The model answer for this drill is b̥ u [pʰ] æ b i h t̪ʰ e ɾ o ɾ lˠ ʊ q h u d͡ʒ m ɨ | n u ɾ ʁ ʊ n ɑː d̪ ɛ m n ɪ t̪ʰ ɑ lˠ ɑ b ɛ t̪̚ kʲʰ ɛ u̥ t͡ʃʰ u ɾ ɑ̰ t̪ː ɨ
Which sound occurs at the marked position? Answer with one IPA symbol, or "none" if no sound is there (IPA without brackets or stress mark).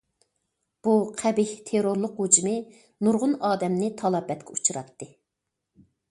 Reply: qʰ